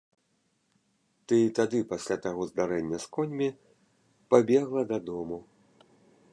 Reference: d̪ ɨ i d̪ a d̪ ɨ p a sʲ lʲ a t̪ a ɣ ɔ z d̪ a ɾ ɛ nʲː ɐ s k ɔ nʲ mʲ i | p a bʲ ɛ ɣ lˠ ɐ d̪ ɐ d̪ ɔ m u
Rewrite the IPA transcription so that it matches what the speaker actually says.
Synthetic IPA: t̪ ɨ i t̪ a d̪ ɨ p a sʲ lʲ a t̪ a ɣ ɔ z d̪ a ɾ ɛ nʲː ɐ s k ɔ nʲ mʲ i | p a bʲ ɛ ɣ lˠ ɐ d̪ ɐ d̪ ɔ m u